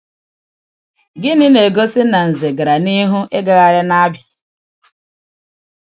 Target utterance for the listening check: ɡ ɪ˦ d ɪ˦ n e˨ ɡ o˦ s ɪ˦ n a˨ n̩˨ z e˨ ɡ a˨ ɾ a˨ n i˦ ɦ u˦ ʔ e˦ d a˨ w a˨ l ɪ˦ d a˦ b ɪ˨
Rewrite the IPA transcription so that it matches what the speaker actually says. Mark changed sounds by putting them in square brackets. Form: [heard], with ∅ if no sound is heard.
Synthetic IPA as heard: ɡ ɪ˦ [n] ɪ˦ n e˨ ɡ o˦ s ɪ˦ n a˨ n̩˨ z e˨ ɡ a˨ ɾ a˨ n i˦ ɦ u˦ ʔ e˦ [ɡ] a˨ [ɣ] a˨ [ɾ] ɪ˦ [n] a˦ b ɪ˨

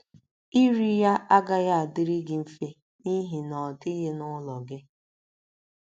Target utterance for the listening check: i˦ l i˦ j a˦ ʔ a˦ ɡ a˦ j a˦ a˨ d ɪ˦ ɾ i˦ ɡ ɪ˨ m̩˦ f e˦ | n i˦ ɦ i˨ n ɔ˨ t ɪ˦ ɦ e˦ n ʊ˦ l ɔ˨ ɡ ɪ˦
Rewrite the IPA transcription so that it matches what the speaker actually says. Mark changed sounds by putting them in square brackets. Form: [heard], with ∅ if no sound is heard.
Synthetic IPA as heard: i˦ [ɾ] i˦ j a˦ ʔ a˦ ɡ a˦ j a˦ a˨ d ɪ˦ ɾ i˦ ɡ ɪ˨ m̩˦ f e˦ | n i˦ ɦ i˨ n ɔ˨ t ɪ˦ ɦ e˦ n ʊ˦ l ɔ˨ ɡ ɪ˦

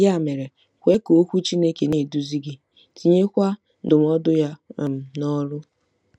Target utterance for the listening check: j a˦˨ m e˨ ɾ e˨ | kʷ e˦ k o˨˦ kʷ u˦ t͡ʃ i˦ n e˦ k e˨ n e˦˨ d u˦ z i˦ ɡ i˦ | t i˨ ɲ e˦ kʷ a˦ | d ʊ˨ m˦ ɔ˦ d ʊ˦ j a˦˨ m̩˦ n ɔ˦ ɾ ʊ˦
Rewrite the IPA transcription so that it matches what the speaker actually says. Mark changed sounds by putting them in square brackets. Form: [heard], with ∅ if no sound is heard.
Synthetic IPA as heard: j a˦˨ m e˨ ɾ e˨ | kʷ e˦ k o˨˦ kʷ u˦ t͡ʃ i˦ n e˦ k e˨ n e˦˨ d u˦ z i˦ ɡ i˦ | t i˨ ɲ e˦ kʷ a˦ | d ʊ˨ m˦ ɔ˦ d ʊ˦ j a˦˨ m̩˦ n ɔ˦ ɾ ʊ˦

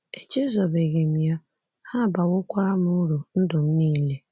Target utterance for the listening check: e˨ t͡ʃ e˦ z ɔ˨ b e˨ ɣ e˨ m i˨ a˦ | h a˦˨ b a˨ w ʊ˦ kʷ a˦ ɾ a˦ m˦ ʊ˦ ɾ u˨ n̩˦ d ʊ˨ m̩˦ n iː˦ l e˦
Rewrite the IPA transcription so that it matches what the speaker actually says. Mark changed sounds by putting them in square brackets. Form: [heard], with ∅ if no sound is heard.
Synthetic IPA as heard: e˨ t͡ʃ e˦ z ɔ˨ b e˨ ɣ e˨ m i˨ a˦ | h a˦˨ b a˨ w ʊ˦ kʷ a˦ ɾ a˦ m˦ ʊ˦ ɾ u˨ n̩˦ d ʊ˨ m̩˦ n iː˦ l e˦

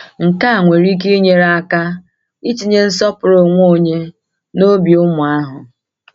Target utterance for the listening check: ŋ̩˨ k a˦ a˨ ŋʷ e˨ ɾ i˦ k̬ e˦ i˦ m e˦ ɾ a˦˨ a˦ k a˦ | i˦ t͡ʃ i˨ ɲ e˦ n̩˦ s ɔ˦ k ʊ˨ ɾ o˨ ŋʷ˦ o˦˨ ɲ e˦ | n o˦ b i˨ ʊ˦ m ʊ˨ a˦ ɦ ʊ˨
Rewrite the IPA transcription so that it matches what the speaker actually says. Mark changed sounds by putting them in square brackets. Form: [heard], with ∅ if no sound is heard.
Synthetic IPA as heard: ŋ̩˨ k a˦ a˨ ŋʷ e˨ ɾ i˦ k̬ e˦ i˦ [ɲ] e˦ ɾ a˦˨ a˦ k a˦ | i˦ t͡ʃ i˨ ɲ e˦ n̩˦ s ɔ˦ [p] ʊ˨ ɾ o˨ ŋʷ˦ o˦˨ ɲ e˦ | n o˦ b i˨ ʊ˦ m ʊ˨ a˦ ɦ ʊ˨

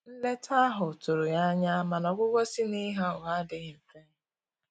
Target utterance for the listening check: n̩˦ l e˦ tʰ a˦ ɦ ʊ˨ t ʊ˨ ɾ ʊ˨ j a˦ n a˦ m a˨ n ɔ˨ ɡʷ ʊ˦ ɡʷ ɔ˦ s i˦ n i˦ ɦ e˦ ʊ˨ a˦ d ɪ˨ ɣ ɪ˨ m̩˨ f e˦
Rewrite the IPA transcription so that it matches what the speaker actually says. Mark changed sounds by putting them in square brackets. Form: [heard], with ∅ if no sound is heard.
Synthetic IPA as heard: n̩˦ l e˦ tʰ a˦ ɦ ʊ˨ t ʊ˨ ɾ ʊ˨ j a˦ [ɲ] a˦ m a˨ n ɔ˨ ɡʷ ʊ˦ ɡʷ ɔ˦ s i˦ n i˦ ɦ [a˦] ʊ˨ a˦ d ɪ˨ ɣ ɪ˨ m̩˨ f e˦

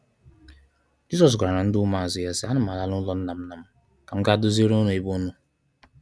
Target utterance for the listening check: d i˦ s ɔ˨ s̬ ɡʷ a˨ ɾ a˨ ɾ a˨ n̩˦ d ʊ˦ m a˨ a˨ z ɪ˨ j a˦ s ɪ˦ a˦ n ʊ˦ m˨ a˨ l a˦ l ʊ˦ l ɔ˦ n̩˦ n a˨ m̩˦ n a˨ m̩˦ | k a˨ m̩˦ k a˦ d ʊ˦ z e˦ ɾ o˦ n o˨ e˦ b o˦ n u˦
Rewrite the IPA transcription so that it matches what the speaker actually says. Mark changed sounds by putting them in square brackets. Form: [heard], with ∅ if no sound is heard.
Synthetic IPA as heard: [d͡ʒ] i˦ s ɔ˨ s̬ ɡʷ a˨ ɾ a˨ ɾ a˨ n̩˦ d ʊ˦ m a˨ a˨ z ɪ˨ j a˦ s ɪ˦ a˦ n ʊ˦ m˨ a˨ l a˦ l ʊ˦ l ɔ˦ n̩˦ n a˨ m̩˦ n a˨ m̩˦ | k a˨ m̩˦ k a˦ d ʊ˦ z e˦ ɾ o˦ n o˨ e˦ b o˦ n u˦

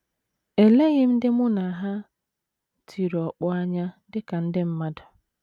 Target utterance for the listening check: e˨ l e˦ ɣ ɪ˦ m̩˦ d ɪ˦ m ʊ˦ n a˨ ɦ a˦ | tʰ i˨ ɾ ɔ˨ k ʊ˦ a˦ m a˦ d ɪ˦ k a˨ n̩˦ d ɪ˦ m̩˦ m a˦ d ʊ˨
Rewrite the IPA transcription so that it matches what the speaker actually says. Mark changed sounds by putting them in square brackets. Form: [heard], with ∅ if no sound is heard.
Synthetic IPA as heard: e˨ l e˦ ɣ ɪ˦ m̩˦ d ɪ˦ m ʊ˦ n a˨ ɦ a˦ | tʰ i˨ ɾ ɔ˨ [k͡p] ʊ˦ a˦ [ɲ] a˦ d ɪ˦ k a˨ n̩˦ d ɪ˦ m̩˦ m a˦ d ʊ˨

